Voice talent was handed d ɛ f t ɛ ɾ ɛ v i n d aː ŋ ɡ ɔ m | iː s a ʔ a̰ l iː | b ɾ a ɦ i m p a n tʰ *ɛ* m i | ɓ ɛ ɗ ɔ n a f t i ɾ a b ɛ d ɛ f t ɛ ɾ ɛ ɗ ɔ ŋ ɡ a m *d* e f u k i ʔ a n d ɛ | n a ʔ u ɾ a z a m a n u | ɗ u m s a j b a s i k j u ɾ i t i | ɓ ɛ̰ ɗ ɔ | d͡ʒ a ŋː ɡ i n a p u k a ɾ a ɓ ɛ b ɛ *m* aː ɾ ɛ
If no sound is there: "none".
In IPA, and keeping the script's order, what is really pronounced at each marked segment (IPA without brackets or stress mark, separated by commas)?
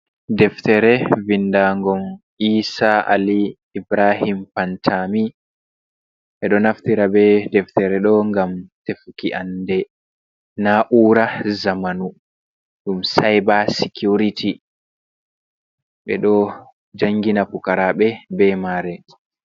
a, t, m